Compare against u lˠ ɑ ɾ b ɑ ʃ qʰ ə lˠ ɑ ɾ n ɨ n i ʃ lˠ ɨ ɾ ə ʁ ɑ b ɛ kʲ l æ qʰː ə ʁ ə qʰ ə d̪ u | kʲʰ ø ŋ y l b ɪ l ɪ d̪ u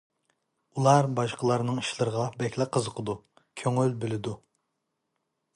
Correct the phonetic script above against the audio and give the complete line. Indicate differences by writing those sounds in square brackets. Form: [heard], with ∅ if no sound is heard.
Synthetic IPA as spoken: u lˠ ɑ ɾ b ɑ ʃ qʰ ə lˠ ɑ ɾ n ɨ [ŋ] i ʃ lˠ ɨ ɾ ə ʁ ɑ b ɛ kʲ l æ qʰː ə [z] ə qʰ ə d̪ u | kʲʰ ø ŋ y l b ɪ l ɪ d̪ u